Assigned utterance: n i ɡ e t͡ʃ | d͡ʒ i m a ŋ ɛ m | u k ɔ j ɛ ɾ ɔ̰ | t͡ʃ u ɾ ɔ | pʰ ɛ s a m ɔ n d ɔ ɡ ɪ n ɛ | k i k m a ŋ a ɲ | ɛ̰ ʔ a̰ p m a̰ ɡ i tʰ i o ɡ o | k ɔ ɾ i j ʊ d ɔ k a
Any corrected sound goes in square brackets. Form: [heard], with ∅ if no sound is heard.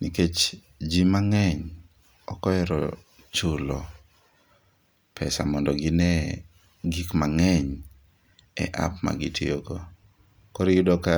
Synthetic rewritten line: n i [k] e t͡ʃ | d͡ʒ i m a ŋ ɛ [ɲ] | [ɔ] k ɔ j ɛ ɾ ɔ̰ | t͡ʃ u [l] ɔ | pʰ ɛ s a m ɔ n d ɔ ɡ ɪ n ɛ | [ɡ] i k m a ŋ [ɛ] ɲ | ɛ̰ ʔ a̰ p m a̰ ɡ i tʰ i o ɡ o | k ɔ ɾ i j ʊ d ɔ k a